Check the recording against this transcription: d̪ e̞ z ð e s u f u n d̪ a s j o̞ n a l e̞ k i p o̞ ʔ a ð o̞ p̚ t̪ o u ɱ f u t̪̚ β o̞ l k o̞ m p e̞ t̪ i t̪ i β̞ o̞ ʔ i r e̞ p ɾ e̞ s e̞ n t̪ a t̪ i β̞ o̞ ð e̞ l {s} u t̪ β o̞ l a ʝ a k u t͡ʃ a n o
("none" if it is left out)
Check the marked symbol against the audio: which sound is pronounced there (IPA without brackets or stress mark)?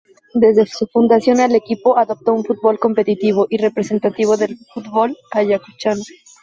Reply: f